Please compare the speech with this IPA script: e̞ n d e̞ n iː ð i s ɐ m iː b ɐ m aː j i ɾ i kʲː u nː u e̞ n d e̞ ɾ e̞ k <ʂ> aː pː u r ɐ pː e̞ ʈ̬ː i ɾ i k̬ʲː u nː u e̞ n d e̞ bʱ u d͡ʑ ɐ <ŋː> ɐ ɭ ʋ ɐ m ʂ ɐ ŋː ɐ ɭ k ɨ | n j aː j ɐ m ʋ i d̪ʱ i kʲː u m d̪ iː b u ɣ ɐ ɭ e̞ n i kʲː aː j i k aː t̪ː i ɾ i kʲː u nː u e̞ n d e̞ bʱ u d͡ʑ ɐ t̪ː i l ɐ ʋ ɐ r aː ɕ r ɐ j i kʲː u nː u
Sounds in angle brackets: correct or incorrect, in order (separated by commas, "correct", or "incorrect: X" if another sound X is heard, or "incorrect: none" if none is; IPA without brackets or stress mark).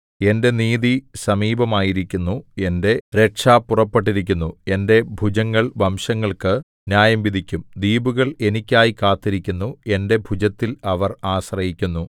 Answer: correct, correct